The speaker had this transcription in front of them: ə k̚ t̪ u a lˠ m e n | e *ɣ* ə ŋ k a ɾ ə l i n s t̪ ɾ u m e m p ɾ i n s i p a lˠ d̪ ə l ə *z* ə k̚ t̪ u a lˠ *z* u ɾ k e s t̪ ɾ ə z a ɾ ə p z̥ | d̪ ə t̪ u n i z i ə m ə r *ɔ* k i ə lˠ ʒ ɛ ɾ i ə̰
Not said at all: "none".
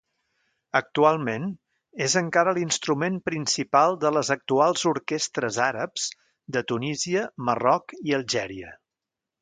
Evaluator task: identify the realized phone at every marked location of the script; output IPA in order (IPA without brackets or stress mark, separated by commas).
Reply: z, z, z, ɔ